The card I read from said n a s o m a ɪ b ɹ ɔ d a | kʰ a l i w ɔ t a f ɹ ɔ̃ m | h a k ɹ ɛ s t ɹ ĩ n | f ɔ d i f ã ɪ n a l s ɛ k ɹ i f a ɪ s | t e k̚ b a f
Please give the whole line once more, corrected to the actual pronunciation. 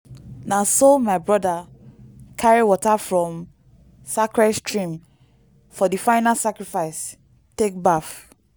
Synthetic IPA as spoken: n a s o m a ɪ b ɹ ɔ d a | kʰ a ɹ i w ɔ t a f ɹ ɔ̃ m | s a k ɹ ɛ s t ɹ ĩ m | f ɔ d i f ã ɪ n a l s a k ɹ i f a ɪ s | t e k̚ b a f